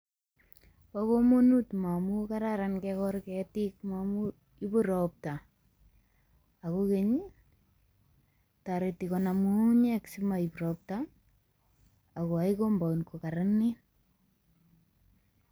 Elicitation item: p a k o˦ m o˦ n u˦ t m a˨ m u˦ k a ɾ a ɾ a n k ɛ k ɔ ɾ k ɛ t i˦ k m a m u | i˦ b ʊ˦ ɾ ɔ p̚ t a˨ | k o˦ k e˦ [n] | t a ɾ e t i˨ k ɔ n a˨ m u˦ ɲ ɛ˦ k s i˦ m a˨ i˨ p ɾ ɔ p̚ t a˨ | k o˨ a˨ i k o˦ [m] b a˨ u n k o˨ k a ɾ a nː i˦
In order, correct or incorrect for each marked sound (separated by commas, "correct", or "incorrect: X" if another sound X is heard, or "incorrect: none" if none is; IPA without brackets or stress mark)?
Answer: incorrect: ɲ, correct